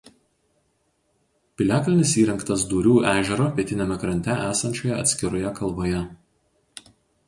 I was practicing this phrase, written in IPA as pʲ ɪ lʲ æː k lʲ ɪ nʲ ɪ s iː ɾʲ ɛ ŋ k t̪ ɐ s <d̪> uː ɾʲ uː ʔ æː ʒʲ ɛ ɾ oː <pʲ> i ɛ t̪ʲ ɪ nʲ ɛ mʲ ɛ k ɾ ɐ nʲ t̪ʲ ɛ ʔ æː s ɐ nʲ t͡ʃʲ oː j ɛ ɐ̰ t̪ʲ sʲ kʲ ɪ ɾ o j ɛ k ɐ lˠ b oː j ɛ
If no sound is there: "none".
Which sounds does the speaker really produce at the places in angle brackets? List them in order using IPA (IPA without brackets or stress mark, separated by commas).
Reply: d̪, pʲ